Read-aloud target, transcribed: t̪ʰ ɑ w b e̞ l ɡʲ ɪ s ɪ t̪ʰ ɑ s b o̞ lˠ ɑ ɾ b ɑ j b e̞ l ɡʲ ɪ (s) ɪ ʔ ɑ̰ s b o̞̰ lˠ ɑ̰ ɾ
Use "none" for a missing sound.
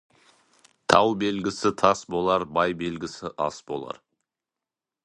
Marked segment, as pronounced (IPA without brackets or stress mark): s